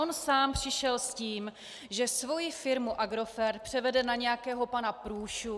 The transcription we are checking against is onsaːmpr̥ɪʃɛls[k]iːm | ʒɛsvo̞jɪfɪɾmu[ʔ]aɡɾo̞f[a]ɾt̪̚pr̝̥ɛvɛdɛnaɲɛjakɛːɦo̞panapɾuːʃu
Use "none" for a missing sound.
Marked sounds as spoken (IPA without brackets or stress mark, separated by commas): c, ʔ, ɛ